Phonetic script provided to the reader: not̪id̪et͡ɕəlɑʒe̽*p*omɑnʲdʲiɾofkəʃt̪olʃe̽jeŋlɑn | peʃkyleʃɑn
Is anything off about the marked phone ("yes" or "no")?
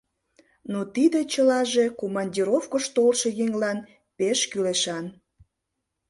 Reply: yes